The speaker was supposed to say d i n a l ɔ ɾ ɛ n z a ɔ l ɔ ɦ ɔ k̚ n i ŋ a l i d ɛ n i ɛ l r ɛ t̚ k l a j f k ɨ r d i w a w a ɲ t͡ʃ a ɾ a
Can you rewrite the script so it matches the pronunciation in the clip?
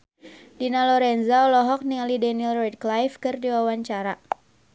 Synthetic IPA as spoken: d i n a l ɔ ɾ ɛ n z a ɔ l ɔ ɦ ɔ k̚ n i ŋ a l i d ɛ n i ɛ l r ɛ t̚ k l a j f k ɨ r d i w a w a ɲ t͡ʃ a ɾ a